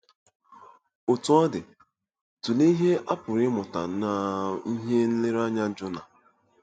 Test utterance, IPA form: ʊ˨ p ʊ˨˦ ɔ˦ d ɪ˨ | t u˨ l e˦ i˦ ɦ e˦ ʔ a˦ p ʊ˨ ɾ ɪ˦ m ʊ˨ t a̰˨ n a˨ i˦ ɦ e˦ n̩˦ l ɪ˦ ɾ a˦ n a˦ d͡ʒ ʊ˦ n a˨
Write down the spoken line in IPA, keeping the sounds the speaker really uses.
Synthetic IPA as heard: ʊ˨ t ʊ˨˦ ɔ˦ d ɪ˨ | t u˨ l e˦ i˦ ɦ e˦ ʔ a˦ p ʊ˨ ɾ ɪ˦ m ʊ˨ t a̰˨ n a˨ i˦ ɦ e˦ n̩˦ l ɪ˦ ɾ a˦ ɲ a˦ d͡ʒ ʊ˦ n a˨